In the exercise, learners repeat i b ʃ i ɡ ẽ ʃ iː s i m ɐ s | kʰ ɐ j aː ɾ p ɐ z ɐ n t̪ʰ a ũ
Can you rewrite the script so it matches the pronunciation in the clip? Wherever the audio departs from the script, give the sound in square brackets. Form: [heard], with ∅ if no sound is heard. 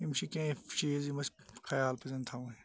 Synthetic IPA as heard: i [m] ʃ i [k] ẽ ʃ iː [z] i m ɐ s | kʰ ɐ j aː [l] p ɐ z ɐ n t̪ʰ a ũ

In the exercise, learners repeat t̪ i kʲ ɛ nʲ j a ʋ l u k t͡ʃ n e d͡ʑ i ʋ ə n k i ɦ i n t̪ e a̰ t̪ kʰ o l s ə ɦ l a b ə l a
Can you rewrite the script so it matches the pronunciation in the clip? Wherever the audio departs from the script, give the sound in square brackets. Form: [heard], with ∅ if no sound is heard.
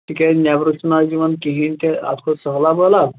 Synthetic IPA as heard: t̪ i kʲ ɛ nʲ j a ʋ [ɾ] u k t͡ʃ n [a] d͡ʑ i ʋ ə n k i ɦ i n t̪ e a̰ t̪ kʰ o [∅] s ə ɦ l a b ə l a

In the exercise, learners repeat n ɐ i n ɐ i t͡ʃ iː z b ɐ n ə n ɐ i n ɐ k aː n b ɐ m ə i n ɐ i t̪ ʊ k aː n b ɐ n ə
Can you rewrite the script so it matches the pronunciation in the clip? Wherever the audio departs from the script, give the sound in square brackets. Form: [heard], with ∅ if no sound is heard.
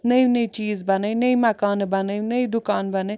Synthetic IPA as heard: n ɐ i n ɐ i t͡ʃ iː z b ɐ n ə n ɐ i [m] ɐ k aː n b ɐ [n] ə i n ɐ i [d̪] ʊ k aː n b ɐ n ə

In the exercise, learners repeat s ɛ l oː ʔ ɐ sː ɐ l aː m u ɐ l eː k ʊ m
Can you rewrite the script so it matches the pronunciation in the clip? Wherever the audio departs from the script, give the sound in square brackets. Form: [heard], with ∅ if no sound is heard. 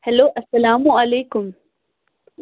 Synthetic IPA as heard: [h] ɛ l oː ʔ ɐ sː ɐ l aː m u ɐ l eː k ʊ m

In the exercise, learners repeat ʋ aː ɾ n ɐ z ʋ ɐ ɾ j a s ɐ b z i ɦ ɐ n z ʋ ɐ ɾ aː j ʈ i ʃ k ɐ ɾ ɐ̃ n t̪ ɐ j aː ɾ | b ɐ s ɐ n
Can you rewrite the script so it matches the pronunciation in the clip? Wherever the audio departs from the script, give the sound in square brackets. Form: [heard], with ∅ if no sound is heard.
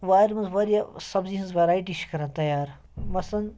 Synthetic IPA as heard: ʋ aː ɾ [m] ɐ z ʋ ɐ ɾ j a s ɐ b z i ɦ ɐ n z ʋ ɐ ɾ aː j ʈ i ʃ k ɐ ɾ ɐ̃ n t̪ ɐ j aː ɾ | [m] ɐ s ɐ n

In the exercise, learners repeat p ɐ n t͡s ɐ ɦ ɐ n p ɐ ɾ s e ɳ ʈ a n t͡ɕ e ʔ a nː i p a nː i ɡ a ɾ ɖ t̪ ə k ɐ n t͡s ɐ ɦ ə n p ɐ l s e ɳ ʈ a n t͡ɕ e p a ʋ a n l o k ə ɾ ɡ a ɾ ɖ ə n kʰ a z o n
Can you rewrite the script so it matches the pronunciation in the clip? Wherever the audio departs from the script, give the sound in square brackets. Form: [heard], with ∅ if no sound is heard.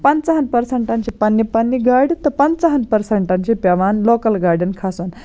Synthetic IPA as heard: p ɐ n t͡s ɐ ɦ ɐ n p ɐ ɾ s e ɳ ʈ a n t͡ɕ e [p] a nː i p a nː i ɡ a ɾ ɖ t̪ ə [p] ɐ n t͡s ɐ ɦ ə n p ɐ [ɾ] s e ɳ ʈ a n t͡ɕ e p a ʋ a n l o k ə [l] ɡ a ɾ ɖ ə n kʰ a [s] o n

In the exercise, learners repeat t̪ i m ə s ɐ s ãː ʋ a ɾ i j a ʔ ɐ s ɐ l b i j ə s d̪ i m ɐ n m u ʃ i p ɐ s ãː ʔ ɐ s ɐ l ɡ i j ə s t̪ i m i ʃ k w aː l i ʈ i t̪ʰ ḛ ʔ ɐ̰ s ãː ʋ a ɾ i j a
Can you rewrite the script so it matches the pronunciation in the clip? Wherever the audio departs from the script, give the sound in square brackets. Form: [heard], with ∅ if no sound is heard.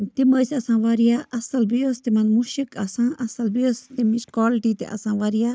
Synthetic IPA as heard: t̪ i m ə s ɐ s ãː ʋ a ɾ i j a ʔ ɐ s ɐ l b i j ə s [t̪] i m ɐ n m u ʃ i [k] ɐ s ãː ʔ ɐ s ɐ l [b] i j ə s t̪ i m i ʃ k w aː l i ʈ i [t̪] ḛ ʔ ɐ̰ s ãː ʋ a ɾ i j a

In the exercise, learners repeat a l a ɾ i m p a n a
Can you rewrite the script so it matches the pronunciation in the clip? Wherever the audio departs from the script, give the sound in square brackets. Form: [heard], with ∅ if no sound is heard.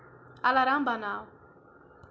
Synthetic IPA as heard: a l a ɾ [a] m [b] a n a

